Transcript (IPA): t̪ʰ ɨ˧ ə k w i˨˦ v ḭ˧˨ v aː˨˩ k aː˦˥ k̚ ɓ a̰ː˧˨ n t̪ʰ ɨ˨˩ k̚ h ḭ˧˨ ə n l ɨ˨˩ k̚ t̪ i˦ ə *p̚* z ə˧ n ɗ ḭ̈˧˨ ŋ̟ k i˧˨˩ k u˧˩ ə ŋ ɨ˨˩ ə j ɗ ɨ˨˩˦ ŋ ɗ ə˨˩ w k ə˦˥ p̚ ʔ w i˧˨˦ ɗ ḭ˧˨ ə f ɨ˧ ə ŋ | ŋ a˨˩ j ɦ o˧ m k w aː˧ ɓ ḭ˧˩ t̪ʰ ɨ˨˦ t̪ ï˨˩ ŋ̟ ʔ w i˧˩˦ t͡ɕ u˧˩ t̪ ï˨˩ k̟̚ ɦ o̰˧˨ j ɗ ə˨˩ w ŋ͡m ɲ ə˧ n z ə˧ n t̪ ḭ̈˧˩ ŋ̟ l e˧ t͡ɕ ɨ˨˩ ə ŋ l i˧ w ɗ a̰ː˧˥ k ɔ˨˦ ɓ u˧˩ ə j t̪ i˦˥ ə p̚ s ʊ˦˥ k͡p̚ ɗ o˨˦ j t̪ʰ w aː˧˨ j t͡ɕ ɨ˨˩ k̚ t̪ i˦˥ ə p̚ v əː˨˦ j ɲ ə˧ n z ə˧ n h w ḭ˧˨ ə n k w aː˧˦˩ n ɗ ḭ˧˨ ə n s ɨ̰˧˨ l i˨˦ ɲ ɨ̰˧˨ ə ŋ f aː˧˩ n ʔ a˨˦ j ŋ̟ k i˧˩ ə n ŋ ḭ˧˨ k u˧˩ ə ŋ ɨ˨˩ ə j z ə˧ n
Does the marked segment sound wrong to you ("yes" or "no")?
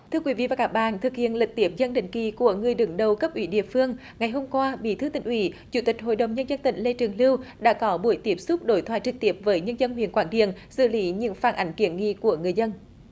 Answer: no